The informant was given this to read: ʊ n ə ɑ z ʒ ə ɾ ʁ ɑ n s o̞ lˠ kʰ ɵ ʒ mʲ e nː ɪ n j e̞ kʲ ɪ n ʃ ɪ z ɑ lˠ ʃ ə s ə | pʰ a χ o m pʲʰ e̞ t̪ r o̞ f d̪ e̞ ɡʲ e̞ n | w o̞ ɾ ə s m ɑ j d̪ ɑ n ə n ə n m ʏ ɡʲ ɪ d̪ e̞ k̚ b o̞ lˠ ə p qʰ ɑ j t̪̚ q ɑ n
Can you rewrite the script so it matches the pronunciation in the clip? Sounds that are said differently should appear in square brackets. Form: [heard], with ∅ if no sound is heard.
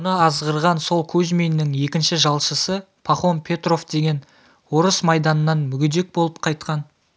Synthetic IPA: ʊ n ə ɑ z [ʁ] ə ɾ ʁ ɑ n s o̞ lˠ kʰ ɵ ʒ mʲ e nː ɪ [ŋ] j e̞ kʲ ɪ n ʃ ɪ [ʒ] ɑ lˠ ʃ ə s ə | pʰ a χ o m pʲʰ e̞ t̪ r o̞ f d̪ e̞ ɡʲ e̞ n | w o̞ ɾ ə s m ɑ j d̪ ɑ n ə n [ɑ] n m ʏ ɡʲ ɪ d̪ e̞ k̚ b o̞ lˠ ə p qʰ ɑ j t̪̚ q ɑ n

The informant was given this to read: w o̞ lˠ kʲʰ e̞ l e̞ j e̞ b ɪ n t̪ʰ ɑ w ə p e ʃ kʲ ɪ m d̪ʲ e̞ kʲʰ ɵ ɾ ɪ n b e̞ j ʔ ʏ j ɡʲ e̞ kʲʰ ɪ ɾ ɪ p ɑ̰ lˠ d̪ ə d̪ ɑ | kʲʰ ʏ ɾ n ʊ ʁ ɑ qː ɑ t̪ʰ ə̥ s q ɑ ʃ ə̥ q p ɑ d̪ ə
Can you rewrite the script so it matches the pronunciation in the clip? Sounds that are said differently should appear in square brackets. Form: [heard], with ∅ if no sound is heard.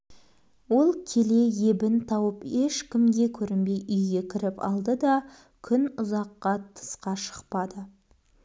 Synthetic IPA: w o̞ lˠ kʲʰ e̞ l e̞ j e̞ b ɪ n t̪ʰ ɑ w ə p e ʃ kʲ ɪ m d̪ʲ e̞ kʲʰ ɵ ɾ ɪ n b e̞ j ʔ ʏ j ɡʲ e̞ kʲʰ ɪ ɾ ɪ p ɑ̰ lˠ d̪ ə d̪ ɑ | kʲʰ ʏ [∅] n ʊ [z] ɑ qː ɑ t̪ʰ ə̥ s q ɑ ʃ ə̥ q p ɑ d̪ ə

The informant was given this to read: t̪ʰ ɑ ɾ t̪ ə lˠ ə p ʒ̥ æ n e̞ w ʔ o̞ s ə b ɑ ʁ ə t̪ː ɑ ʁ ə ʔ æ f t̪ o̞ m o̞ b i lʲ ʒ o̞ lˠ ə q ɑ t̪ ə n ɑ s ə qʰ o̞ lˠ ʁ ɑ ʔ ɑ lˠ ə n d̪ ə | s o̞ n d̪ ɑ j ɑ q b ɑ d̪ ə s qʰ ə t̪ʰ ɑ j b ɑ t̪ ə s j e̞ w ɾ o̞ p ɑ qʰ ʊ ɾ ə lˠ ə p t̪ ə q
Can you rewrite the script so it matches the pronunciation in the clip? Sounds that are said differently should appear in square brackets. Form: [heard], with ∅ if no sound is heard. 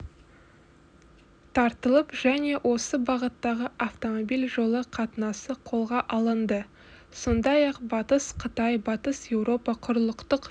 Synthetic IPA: t̪ʰ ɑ ɾ t̪ ə lˠ ə p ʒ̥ æ n e̞ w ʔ o̞ s ə b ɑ ʁ ə t̪ː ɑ ʁ ə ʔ [a] f t̪ o̞ m o̞ b i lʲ ʒ o̞ lˠ ə [qʰ] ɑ t̪ ə n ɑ s ə qʰ o̞ lˠ ʁ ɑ ʔ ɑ lˠ ə n d̪ ə | s o̞ n d̪ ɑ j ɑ q b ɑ [t̪] ə s qʰ ə [t̪] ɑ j b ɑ t̪ ə s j e̞ w ɾ o̞ p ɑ qʰ ʊ ɾ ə lˠ ə [q] t̪ ə q

